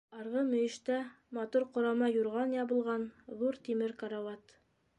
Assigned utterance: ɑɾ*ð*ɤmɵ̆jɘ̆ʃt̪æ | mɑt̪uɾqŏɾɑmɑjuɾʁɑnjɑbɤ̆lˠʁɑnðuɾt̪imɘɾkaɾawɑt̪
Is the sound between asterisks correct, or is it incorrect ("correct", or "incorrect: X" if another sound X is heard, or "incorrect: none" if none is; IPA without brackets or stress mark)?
incorrect: ʁ